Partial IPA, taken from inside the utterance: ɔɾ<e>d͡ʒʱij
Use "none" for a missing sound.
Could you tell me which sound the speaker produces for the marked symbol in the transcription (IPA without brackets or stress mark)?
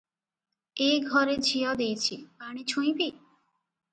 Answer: e